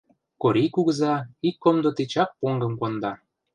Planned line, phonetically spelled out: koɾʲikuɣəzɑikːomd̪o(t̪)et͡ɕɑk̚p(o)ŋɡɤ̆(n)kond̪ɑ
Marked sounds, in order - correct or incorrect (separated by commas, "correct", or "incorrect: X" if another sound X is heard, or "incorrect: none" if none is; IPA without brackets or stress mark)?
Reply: correct, correct, incorrect: m